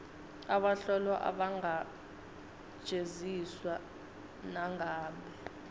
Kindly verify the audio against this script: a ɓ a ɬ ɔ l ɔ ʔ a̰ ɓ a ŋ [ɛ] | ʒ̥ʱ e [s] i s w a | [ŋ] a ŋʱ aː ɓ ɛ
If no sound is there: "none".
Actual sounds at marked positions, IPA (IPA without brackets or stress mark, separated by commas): a, z, n